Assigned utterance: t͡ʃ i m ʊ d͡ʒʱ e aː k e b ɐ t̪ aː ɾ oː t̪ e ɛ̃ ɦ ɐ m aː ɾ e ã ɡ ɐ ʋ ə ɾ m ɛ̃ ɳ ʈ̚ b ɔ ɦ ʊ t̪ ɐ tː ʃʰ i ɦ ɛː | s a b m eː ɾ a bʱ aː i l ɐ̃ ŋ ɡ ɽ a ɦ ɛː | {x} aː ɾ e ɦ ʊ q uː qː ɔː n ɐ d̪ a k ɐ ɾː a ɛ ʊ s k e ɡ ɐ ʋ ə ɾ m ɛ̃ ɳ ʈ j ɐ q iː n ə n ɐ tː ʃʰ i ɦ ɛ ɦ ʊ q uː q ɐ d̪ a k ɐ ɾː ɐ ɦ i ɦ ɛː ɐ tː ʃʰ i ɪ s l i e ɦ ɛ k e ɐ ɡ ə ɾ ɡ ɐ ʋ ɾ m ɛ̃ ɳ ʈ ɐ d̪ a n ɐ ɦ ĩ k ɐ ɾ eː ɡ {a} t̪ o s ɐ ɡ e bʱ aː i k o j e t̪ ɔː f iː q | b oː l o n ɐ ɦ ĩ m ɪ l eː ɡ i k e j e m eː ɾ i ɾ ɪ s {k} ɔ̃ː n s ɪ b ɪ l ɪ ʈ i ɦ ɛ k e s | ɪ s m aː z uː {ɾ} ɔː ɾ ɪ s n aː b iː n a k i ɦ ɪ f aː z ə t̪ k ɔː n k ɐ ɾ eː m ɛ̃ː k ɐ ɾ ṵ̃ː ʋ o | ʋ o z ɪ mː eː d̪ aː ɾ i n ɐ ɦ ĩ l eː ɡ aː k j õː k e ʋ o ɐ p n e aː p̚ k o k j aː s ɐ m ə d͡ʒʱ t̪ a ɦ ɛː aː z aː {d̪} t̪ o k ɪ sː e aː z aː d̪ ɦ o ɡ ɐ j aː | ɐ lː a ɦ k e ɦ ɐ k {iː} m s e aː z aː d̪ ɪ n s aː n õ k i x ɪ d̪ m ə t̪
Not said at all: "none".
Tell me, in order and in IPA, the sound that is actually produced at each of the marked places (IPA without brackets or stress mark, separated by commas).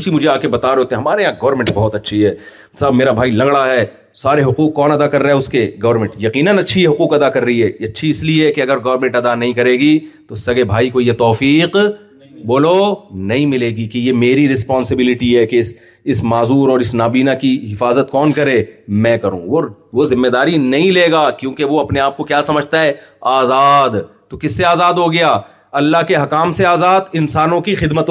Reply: s, i, p, ɾ, d̪, aː